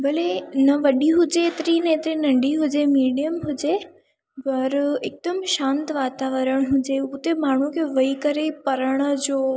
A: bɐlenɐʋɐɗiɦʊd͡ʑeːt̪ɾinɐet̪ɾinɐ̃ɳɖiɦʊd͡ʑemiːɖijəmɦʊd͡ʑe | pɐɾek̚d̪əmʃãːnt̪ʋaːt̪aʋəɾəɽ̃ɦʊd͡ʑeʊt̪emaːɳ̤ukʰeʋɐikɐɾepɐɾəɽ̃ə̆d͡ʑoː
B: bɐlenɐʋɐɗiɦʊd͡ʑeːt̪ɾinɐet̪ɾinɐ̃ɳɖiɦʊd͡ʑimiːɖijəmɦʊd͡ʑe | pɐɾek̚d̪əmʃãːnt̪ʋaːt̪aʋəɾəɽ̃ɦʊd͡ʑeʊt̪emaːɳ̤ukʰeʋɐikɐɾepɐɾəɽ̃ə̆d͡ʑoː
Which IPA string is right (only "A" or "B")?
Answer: A